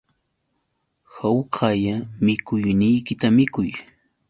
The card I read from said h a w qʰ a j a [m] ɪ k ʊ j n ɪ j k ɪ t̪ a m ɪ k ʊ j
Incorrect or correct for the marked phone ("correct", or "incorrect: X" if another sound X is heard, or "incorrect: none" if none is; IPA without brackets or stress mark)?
correct